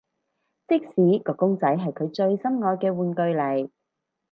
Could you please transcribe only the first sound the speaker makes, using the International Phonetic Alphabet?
t͡s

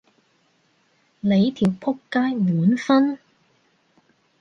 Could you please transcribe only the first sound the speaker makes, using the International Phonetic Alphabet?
l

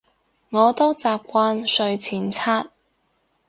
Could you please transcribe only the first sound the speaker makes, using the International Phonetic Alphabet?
ŋ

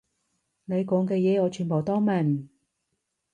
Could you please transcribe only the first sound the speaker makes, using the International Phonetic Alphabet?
n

